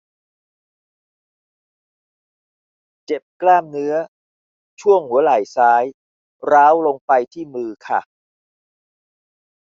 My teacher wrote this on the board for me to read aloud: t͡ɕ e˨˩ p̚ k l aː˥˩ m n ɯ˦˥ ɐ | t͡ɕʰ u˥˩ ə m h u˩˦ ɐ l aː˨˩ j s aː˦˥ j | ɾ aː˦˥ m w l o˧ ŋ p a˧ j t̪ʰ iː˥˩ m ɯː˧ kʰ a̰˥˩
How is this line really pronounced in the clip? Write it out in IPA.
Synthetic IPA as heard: t͡ɕ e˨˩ p̚ k l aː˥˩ m n ɯ˦˥ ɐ | t͡ɕʰ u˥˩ ə ŋ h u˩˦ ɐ l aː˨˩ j s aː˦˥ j | ɾ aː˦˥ w l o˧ ŋ p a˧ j t̪ʰ iː˥˩ m ɯː˧ kʰ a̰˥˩